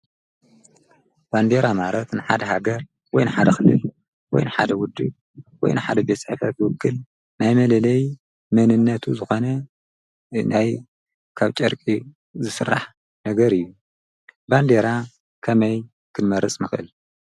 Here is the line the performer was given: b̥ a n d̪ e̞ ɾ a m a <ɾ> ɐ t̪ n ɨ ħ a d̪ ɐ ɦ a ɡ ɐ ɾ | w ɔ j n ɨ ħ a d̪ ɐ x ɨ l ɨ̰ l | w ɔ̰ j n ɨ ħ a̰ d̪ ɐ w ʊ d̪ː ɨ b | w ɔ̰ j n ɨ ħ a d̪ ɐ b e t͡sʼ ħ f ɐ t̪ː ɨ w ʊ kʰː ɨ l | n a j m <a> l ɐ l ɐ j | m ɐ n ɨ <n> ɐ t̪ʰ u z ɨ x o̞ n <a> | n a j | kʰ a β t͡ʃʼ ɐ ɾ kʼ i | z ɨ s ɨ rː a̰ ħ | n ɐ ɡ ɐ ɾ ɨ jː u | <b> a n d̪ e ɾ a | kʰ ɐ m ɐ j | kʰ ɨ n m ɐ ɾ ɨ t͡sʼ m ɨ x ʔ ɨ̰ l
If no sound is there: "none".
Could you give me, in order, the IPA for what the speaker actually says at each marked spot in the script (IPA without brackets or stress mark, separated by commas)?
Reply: ɾ, ɐ, nː, ɐ, b